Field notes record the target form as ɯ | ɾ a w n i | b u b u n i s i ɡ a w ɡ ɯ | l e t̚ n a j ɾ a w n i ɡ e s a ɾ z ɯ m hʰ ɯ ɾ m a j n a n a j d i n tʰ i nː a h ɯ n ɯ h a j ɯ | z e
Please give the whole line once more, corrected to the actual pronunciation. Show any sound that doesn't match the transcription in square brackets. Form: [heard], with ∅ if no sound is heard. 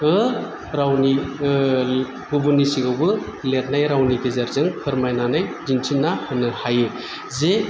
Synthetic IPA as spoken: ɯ | ɾ a w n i | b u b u n i s i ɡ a w [b] ɯ | l e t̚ n a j ɾ a w n i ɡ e [z] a ɾ z ɯ [ŋ] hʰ ɯ ɾ m a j n a n a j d i n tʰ i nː a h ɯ n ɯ h a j ɯ | z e